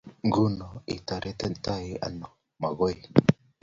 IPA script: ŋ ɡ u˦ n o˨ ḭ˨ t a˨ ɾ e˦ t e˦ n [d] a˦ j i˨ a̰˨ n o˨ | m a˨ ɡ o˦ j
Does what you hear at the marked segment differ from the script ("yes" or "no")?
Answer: yes